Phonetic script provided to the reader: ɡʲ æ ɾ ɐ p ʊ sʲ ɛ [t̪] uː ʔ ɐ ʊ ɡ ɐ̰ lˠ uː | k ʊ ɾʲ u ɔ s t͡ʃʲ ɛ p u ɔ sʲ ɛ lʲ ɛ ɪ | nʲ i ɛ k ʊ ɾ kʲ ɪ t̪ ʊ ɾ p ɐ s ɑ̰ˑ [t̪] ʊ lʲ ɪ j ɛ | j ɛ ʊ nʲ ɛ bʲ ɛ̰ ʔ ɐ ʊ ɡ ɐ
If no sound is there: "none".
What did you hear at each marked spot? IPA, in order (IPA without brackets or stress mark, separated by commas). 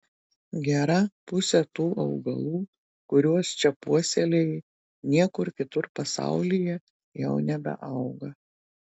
t̪, none